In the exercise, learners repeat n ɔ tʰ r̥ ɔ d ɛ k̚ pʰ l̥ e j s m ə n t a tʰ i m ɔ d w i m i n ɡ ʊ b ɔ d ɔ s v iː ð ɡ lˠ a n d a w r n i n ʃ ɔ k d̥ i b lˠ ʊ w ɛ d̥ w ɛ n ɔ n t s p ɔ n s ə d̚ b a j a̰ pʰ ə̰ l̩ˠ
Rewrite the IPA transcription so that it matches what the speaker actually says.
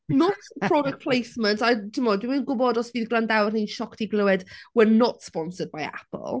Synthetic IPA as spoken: n ɔ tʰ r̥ ɔ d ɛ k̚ pʰ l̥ e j s m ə n t a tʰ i m ɔ d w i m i n ɡ ʊ b ɔ d ɔ s v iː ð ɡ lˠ a n d a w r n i n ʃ ɔ k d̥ i ɡ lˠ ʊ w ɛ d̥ w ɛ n ɔ t s p ɔ n s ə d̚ b a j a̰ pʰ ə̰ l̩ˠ